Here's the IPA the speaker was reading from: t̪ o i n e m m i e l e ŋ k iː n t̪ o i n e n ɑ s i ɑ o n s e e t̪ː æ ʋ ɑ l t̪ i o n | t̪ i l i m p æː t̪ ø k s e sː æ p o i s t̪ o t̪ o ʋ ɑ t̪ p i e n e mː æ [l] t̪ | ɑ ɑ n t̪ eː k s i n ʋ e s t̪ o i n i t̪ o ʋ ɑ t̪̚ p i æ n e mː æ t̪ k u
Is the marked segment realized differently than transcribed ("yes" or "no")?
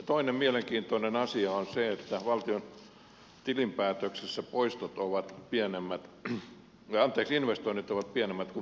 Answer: yes